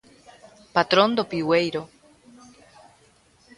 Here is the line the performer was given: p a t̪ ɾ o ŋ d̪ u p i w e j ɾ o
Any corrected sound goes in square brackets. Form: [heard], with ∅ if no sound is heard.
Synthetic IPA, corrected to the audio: p a t̪ ɾ o [n] d̪ [o] p i w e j ɾ o